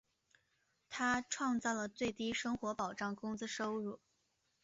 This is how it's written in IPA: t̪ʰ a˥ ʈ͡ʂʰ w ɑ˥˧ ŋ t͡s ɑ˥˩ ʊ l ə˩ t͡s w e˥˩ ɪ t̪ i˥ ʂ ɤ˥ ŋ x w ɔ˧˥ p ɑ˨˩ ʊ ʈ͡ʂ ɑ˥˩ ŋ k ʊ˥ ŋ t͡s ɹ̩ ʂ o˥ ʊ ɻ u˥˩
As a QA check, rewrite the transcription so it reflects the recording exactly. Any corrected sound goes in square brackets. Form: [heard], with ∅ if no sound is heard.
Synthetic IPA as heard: t̪ʰ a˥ ʈ͡ʂʰ w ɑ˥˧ ŋ t͡s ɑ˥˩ ʊ l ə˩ t͡s w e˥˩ ɪ t̪ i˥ ʂ ɤ˥ ŋ x w ɔ˧˥ p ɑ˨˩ ʊ ʈ͡ʂ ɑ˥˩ ŋ k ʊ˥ ŋ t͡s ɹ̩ ʂ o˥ ʊ ɻ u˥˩